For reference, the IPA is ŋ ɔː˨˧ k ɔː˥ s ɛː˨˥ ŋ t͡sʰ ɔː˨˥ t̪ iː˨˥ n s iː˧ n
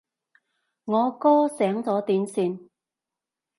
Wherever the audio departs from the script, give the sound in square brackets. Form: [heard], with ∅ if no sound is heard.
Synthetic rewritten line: ŋ ɔː˨˧ k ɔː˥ s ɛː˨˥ ŋ [t͡s] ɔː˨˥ t̪ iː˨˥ n s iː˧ n